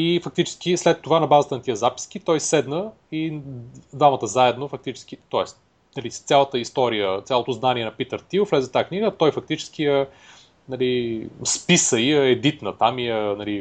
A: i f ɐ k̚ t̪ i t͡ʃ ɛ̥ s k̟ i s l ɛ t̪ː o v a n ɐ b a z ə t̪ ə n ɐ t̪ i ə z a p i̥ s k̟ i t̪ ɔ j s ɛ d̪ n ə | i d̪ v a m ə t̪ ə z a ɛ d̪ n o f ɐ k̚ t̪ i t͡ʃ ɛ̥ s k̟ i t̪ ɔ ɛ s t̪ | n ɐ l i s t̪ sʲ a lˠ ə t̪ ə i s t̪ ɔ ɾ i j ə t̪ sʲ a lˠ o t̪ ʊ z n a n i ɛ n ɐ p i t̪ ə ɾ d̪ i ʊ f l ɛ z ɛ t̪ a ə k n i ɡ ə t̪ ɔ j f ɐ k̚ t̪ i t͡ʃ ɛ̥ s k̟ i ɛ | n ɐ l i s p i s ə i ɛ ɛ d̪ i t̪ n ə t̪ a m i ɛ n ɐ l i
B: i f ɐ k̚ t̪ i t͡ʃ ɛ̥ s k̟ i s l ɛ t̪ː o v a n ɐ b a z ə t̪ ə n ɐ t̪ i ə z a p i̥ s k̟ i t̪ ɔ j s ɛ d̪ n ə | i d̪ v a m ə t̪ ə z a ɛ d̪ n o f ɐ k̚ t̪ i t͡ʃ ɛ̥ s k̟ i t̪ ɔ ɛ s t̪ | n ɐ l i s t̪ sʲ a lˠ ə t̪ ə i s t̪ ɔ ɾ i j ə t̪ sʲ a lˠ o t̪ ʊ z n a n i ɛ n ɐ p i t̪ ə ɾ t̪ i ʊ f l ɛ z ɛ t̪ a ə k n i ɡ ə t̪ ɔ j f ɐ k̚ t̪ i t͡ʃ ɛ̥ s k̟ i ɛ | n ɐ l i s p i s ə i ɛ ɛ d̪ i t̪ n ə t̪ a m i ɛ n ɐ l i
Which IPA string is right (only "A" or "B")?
B